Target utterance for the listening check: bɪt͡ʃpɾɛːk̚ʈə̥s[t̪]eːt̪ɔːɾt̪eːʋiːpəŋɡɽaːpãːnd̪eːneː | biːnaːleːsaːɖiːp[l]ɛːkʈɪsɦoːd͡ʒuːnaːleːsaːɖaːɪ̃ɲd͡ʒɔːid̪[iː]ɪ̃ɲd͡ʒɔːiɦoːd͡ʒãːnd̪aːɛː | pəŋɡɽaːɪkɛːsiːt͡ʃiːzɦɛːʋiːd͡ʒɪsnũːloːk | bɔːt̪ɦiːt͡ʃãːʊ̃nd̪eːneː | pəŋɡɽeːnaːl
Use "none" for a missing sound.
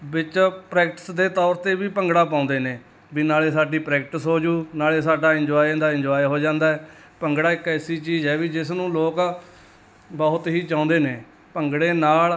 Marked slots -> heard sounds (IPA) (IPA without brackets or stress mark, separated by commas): d̪, ɾ, aː